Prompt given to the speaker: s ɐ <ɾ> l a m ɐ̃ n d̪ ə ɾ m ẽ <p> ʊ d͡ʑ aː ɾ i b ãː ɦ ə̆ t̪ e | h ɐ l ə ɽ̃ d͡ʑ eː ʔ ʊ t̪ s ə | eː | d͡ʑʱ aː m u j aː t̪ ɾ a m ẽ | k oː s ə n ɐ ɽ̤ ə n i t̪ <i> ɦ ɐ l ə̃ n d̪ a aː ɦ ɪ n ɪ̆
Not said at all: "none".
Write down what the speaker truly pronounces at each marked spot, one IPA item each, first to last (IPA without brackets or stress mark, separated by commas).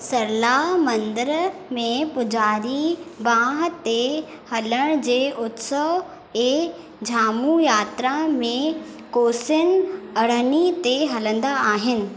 ɾ, p, e